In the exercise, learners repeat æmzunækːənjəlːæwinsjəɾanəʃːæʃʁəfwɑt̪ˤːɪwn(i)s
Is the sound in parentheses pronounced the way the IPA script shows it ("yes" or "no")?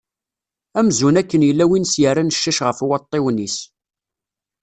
yes